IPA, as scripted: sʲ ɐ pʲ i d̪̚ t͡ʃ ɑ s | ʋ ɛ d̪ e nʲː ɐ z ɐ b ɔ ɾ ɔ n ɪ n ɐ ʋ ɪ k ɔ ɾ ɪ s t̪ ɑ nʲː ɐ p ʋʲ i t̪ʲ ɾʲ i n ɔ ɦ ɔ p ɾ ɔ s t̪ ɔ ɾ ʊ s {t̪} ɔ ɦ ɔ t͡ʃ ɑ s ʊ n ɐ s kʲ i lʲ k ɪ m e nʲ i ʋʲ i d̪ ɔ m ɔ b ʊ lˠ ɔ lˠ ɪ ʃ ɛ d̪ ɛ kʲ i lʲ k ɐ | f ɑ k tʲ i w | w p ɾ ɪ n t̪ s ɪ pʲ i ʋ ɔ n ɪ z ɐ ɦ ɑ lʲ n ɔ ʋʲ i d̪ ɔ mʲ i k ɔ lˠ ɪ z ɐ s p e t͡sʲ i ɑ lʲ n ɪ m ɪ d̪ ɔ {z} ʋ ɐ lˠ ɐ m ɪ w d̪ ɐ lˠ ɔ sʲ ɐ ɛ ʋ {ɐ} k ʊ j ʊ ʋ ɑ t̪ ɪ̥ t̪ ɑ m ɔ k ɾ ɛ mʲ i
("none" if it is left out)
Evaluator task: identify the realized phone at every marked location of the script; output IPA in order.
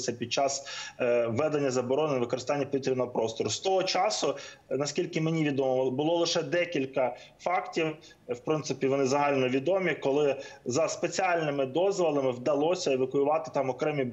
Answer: t̪, z, ɐ

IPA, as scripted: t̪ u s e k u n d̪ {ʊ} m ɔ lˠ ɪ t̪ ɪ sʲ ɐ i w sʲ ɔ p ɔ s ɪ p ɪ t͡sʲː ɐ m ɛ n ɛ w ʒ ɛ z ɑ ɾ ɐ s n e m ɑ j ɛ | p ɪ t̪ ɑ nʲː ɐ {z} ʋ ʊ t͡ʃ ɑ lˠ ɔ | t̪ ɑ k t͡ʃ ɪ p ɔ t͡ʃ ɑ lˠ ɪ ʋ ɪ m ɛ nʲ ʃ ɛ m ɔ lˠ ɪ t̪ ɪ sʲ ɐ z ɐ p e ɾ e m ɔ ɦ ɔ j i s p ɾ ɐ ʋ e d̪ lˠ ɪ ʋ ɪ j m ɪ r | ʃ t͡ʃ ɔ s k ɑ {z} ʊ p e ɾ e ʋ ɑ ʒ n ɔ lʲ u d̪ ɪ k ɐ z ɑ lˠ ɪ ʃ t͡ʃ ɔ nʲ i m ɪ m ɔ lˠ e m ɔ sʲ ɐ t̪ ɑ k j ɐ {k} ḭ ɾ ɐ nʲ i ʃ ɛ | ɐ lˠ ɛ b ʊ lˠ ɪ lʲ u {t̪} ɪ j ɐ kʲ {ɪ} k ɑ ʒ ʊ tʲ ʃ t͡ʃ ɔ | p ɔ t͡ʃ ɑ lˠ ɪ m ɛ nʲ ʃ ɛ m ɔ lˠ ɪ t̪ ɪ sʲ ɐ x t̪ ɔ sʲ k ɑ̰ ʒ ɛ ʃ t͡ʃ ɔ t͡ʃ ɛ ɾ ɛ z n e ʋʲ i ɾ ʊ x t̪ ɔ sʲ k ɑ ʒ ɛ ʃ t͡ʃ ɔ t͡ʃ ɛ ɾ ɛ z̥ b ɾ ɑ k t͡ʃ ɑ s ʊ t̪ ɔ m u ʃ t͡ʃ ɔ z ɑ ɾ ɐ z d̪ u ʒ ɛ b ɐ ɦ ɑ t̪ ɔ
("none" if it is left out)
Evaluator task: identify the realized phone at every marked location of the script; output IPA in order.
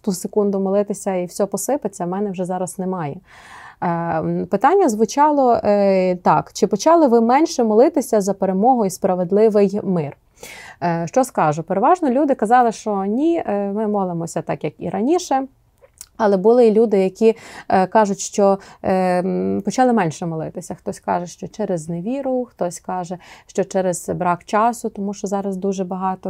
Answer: ʊ, z, ʒ, k, d̪, i

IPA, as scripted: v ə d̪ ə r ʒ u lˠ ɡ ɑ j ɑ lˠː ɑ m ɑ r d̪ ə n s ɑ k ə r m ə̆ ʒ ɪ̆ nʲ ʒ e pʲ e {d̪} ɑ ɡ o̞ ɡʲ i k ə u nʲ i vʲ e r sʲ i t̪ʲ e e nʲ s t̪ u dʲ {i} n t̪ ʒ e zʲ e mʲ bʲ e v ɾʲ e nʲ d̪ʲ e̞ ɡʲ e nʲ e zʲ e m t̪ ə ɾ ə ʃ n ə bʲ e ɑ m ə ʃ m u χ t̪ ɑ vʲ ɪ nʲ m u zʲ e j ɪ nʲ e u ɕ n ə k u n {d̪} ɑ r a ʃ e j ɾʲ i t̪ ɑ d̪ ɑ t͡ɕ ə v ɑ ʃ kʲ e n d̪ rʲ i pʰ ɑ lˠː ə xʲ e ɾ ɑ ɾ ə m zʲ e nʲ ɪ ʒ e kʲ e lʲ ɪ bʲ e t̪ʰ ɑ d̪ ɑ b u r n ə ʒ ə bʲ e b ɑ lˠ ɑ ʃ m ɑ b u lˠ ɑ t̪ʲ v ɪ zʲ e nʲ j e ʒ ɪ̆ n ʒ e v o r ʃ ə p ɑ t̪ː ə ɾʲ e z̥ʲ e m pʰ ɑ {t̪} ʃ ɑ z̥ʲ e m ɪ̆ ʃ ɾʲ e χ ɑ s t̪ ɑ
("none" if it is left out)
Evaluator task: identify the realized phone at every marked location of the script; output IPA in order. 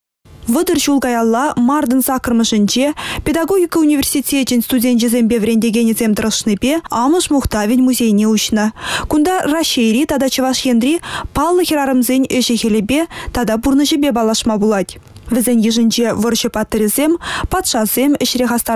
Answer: d̪, e, d̪, t̪

